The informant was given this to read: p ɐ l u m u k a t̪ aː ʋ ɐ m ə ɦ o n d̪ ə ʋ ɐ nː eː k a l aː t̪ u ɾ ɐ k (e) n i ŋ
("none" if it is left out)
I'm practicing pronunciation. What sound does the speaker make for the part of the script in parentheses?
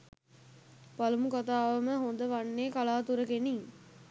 e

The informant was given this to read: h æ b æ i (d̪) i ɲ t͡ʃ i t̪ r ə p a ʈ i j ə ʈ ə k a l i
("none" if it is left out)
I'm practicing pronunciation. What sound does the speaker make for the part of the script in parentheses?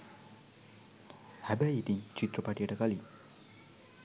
t̪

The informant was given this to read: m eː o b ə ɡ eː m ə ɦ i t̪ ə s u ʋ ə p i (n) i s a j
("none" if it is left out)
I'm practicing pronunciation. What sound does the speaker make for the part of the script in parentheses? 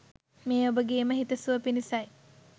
n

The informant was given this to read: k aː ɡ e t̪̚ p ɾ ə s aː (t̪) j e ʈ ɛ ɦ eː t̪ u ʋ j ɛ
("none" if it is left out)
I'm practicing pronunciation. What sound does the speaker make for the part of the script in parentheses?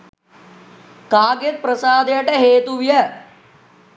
d̪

